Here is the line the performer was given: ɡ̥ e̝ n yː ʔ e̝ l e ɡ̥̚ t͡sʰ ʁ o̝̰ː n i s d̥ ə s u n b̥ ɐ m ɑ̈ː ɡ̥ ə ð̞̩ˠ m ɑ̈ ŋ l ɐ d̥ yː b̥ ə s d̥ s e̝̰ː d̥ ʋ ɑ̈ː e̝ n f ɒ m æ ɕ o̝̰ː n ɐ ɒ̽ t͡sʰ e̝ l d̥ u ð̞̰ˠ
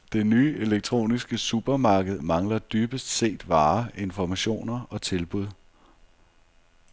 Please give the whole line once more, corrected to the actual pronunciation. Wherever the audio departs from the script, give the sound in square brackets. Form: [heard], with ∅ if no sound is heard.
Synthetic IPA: [d̥] e̝ n yː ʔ e̝ l e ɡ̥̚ t͡sʰ ʁ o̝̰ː n i s [ɡ̥] ə s u [∅] b̥ ɐ m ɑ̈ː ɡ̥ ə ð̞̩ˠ m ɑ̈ ŋ l ɐ d̥ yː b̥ ə s d̥ s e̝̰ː d̥ ʋ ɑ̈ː e̝ n f ɒ m æ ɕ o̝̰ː n ɐ ɒ̽ t͡sʰ e̝ l [b̥] u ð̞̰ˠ